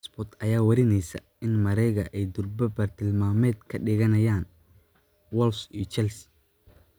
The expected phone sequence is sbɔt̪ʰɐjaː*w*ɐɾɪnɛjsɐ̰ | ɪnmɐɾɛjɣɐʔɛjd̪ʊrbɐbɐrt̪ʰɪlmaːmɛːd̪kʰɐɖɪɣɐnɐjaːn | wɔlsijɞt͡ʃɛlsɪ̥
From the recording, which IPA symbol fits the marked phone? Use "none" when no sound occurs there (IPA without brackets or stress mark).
w